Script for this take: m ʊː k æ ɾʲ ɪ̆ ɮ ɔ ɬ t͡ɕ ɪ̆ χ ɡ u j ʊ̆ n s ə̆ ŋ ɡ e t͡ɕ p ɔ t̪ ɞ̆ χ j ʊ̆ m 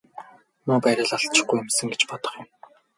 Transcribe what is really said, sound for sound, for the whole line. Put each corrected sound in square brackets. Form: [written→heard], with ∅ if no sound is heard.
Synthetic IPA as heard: m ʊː [k→p] æ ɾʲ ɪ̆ ɮ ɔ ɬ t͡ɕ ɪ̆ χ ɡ u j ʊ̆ [n→m] s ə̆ ŋ ɡ e t͡ɕ p ɔ t̪ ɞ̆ χ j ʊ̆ m